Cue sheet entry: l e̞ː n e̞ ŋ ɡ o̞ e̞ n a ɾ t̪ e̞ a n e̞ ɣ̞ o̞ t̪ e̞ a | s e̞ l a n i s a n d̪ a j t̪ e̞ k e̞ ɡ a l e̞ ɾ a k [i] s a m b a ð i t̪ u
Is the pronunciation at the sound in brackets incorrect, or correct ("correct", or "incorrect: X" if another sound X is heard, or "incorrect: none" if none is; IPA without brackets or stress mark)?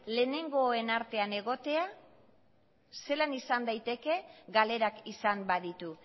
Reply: correct